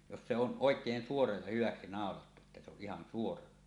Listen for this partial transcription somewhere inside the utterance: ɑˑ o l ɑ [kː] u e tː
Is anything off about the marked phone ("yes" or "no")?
yes